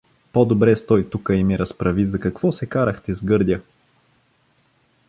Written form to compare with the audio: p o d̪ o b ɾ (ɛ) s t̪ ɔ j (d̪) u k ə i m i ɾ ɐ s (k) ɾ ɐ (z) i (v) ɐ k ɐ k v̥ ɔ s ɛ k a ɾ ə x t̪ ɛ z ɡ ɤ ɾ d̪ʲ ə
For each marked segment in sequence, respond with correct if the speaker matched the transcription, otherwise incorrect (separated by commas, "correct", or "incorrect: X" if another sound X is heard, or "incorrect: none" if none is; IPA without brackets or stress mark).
correct, incorrect: t̪, incorrect: p, incorrect: v, incorrect: z